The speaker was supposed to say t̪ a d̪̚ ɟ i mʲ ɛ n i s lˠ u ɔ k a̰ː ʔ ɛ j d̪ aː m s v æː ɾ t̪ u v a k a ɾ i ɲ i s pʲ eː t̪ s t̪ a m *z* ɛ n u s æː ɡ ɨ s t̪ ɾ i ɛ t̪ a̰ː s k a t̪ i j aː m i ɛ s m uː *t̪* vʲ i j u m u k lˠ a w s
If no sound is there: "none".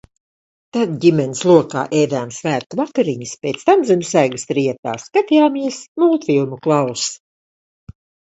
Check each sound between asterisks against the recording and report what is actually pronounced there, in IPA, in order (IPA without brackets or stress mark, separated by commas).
z, t̪